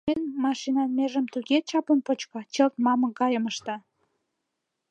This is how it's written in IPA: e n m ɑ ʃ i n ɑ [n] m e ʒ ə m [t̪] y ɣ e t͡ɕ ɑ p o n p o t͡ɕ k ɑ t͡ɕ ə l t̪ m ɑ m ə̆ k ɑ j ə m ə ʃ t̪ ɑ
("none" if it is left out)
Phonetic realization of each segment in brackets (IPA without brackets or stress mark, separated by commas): n, t̪